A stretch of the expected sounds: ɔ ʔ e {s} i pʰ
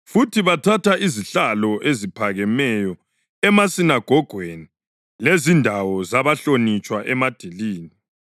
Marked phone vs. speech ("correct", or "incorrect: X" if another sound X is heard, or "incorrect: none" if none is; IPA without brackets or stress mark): incorrect: z